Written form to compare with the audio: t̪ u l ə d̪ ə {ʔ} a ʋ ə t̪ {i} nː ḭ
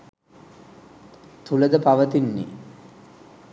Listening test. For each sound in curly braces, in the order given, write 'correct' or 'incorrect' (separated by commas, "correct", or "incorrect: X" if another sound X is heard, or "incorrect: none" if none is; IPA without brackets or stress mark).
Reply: incorrect: p, correct